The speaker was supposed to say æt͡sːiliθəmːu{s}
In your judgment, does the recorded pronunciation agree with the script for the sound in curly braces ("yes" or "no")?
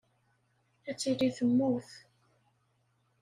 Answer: no